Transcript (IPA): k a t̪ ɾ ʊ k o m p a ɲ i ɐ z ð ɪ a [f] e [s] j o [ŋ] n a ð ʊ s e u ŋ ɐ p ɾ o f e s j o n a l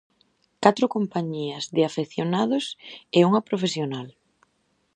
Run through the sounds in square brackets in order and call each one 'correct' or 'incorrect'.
correct, incorrect: θ, incorrect: none

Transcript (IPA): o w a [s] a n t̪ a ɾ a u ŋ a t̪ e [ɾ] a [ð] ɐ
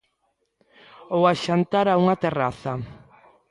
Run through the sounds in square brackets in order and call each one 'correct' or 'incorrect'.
incorrect: ʃ, incorrect: r, incorrect: θ

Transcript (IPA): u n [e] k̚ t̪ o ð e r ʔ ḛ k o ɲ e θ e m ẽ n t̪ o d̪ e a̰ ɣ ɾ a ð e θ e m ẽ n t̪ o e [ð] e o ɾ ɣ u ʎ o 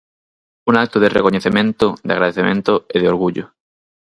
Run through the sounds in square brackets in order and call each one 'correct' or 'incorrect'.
incorrect: a, correct

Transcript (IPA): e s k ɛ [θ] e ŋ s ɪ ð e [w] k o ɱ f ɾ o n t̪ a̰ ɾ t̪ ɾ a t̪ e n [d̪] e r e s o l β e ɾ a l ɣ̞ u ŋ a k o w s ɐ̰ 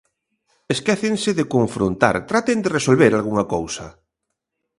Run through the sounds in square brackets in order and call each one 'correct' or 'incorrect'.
correct, incorrect: none, correct

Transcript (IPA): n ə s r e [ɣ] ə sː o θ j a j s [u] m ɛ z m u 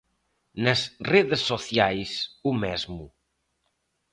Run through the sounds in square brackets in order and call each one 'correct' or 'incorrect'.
incorrect: ð, correct

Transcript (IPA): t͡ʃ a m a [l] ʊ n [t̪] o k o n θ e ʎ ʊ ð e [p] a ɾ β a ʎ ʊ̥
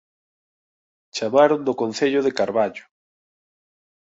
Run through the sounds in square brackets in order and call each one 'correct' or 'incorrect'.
incorrect: ɾ, incorrect: d̪, incorrect: k

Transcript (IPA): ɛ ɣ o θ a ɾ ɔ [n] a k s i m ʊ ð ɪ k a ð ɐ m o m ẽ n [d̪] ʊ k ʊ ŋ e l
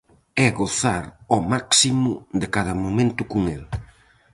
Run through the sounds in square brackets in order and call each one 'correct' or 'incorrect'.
incorrect: m, incorrect: t̪

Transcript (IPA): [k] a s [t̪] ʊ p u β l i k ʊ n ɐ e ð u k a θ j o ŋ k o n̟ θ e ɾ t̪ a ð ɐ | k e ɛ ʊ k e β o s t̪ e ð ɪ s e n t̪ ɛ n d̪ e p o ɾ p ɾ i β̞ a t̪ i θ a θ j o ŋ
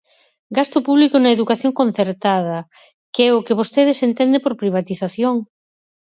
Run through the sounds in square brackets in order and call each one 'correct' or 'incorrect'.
incorrect: ɡ, correct

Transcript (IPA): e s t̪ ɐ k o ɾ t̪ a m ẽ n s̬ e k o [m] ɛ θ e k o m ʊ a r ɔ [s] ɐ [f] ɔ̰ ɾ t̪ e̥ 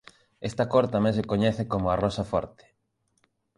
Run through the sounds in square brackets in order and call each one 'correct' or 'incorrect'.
incorrect: ɲ, correct, correct

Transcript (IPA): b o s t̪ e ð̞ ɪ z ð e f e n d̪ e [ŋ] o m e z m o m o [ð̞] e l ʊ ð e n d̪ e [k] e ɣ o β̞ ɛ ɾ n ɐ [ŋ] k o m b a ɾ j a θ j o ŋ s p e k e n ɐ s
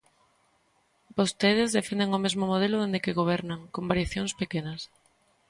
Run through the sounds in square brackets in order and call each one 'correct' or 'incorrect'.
correct, correct, correct, correct

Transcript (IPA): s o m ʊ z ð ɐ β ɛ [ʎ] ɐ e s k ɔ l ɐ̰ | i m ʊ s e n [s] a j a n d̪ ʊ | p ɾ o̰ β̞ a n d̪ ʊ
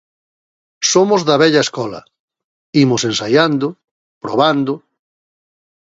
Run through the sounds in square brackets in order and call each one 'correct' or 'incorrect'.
correct, correct

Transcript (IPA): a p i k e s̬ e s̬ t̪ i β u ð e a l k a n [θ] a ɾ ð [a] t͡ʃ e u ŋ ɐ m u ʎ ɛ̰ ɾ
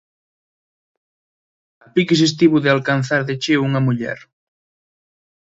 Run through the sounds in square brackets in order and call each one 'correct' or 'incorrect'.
correct, incorrect: e

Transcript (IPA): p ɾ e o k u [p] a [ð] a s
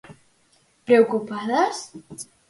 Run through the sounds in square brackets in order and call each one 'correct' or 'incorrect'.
correct, correct

